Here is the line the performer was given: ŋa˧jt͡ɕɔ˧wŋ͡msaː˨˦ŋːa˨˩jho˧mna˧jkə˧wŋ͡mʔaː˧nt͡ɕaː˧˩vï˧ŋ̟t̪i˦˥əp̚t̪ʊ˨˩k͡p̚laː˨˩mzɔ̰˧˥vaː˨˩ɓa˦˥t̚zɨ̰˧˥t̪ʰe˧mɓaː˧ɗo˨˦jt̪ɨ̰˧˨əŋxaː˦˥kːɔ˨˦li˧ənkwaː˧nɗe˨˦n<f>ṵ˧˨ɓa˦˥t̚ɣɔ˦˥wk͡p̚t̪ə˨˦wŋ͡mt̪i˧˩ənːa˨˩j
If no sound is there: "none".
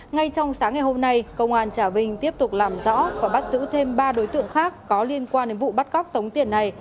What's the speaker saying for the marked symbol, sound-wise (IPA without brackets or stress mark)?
v